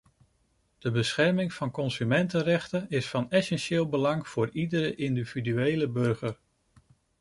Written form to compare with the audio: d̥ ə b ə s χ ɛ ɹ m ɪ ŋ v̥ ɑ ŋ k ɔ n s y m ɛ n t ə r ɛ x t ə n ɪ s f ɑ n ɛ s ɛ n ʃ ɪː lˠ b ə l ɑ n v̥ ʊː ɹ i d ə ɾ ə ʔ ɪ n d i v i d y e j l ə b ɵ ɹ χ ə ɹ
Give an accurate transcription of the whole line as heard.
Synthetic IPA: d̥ ə b ə s χ ɛ ɹ m ɪ ŋ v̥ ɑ n k ɔ n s y m ɛ n t ə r ɛ χ t ə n ɪ s f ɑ n ɛ s ɛ n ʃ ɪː lˠ b ə l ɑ ŋ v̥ ʊː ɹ i d ə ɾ ə ʔ ɪ n d i v i d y e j l ə b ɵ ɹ χ ə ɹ

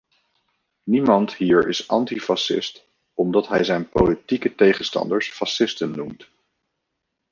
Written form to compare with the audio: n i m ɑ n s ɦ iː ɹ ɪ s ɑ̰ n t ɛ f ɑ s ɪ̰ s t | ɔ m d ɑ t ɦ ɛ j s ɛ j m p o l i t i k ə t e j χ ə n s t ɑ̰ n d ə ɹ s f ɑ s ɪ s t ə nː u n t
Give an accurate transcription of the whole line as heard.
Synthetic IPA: n i m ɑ n t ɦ iː ɹ ɪ s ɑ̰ n t i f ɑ s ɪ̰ s t | ɔ m d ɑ t ɦ ɛ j z ɛ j n p o l i t i k ə t e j χ ə n s t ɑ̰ n d ə ɹ s f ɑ s ɪ s t ə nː u m t

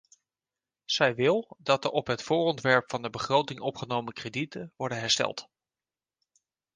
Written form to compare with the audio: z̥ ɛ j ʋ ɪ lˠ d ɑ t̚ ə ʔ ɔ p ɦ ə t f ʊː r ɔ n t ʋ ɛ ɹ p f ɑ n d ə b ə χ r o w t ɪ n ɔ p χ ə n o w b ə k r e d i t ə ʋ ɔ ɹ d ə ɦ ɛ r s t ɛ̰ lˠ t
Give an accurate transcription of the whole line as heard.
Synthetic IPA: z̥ ɛ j ʋ ɪ lˠ d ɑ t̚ ə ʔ ɔ p ɦ ə t f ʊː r ɔ n t ʋ ɛ ɹ p f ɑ n d ə b ə χ r o w t ɪ ŋ ɔ p χ ə n o w m ə k r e d i t ə ʋ ɔ ɹ d ə ɦ ɛ ɹ s t ɛ̰ lˠ t

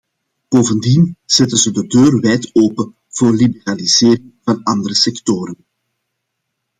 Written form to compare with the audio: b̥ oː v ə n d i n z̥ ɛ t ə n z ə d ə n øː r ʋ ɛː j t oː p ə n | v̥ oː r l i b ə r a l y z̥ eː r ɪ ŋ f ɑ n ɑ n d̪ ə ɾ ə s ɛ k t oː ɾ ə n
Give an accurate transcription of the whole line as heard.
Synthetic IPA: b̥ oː v ə n d i n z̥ ɛ t ə n z ə d ə d øː r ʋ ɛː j t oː p ə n | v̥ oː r l i b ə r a l i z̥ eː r ɪ ŋ v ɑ n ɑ n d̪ ə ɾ ə s ɛ k t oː ɾ ə n

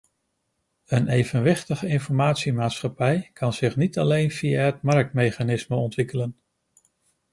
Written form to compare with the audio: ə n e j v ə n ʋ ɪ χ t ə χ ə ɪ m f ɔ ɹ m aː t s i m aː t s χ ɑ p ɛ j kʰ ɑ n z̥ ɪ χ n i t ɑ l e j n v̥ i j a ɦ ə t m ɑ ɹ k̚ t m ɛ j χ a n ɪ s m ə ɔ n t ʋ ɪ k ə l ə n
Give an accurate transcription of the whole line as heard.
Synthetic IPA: ə n e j v ə n ʋ ɪ χ t ə χ ə ɪ n f ɔ ɹ m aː t s i m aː t s χ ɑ p ɛ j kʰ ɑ n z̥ ɪ χ n i t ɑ l e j n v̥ i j a ɦ ə t m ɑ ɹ k̚ t m e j χ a n ɪ s m ə ɔ n t ʋ ɪ k ə l ə n

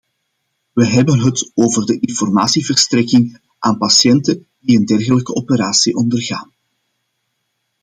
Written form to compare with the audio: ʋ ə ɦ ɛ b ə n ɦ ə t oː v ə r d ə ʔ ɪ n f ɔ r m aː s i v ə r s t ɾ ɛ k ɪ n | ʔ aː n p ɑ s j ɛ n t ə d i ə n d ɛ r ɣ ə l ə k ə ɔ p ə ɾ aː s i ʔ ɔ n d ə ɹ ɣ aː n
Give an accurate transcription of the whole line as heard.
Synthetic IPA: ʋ ə ɦ ɛ b ə n ɦ ə t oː v ə r d ə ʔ ɪ n f ɔ r m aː s i v ə r s t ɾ ɛ k ɪ ŋ | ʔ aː n p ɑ s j ɛ n t ə d i ə n d ɛ r ɣ ə l ə k ə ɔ p ə ɾ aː s i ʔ ɔ n d ə r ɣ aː n

